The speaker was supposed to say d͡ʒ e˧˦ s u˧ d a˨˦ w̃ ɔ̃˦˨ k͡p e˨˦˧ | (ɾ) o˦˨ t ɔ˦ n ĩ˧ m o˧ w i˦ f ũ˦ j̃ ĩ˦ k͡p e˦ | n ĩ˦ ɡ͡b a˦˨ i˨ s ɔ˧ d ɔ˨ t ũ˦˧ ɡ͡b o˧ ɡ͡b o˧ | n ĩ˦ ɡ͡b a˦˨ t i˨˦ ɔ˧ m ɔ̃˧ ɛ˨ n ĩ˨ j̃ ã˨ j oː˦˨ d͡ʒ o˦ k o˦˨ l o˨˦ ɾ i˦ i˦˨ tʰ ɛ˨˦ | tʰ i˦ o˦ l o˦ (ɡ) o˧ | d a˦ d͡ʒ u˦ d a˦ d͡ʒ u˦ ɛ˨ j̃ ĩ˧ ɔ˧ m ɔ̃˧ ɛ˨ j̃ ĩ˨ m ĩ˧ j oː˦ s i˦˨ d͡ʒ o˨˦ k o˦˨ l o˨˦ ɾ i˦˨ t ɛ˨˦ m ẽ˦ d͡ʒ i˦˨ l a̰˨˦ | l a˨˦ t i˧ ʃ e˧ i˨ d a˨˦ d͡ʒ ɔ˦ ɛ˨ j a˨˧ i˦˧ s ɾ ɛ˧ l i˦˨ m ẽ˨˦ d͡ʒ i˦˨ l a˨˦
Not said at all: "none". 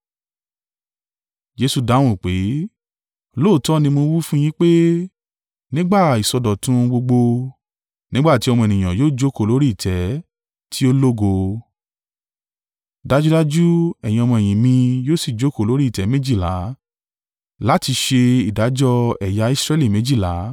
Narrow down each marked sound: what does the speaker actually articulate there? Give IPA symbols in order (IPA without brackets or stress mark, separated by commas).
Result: l, ɡ